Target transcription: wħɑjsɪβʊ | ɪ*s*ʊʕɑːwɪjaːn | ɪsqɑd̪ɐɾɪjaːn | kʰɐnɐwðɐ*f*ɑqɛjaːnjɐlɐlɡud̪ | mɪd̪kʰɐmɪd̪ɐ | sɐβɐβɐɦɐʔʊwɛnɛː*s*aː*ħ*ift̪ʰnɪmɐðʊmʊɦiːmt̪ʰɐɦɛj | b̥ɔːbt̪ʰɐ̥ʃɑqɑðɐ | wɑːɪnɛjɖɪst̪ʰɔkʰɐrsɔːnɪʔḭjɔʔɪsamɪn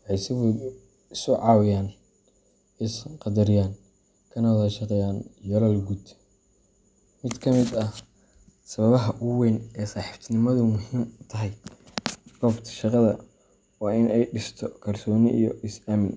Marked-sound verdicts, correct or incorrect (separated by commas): correct, incorrect, correct, correct